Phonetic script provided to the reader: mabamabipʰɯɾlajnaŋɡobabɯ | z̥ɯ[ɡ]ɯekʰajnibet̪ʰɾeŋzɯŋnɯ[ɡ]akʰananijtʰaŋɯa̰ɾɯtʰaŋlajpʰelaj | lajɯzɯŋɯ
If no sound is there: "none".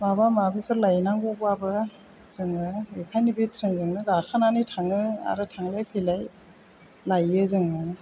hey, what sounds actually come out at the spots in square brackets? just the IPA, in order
ŋ, ɡ

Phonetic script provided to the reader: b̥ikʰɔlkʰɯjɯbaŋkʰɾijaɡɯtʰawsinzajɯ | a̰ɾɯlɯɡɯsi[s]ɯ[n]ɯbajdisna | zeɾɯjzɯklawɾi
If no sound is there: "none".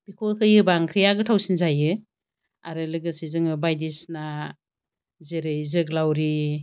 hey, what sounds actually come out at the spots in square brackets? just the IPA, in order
z, ŋ

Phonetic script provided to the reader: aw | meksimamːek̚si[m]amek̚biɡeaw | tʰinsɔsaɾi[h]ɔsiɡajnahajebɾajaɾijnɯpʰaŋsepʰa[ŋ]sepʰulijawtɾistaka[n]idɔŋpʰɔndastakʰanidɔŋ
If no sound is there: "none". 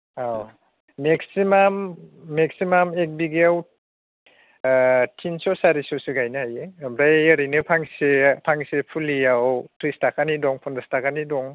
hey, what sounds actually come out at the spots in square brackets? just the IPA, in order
m, s, ŋ, n

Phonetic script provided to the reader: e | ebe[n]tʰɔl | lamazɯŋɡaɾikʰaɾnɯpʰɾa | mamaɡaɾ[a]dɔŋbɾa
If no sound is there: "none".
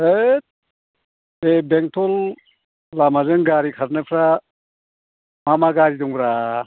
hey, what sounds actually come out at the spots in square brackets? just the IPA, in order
ŋ, i

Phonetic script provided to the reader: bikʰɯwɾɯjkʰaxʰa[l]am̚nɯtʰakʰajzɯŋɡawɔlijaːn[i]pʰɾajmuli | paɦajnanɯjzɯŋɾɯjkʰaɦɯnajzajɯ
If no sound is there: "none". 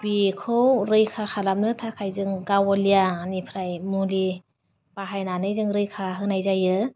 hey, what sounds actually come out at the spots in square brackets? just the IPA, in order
l, i

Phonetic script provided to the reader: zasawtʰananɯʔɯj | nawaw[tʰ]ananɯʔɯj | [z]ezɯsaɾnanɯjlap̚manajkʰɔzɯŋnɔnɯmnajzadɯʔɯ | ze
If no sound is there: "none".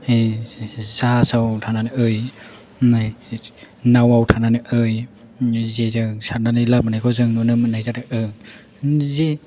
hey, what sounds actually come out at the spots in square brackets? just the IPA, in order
tʰ, z

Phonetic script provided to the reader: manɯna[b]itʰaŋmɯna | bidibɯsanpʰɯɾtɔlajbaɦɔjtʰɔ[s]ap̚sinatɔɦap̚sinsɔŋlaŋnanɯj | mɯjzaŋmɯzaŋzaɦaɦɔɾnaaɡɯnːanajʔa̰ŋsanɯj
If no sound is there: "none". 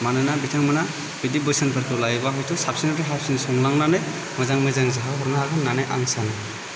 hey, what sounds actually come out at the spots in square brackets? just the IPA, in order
b, s

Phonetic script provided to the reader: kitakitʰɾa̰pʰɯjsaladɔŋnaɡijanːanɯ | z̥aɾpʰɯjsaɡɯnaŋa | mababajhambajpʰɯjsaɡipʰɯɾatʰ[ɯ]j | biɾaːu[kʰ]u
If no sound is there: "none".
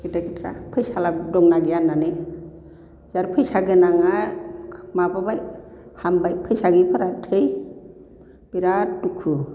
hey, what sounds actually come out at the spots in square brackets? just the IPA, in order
ɯ, kʰ

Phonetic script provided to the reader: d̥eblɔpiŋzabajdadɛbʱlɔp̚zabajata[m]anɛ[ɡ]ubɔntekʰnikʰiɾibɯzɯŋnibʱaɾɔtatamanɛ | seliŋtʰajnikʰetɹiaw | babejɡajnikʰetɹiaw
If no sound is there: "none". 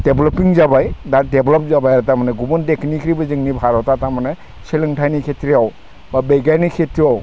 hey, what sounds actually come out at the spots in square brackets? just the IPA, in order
m, ɡ

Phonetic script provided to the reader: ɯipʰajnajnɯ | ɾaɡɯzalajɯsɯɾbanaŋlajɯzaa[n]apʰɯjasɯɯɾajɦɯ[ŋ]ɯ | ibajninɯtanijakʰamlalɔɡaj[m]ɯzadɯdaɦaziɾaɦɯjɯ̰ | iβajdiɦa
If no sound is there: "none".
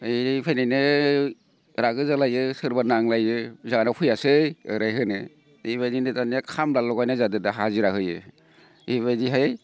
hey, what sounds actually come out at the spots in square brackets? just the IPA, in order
n, n, n

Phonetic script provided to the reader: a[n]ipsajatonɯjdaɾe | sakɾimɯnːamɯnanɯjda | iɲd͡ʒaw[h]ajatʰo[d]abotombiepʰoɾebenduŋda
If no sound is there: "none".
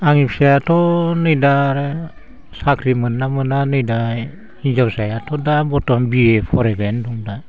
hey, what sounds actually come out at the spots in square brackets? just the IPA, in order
ŋ, s, d

